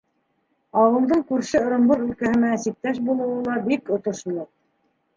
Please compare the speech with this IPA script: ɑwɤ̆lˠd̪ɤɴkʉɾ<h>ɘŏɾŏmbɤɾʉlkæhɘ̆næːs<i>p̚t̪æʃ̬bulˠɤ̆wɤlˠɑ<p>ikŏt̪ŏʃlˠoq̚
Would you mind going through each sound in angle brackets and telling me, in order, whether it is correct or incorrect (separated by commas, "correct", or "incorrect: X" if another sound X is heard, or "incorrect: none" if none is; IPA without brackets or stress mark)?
incorrect: ʃ, correct, incorrect: b